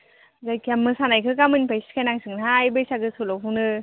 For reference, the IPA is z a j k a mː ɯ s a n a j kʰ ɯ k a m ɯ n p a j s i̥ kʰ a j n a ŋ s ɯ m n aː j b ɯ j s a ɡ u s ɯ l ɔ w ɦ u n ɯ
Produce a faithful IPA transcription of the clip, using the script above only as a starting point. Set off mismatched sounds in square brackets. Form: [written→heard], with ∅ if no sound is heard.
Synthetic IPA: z a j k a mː ɯ s a n a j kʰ ɯ k a m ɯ n p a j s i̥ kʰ a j n a ŋ s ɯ [m→ŋ] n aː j b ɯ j s a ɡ [u→ɯ] s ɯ l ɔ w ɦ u n ɯ